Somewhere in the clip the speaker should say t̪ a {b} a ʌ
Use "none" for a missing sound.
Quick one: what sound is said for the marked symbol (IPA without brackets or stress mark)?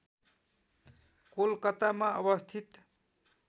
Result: m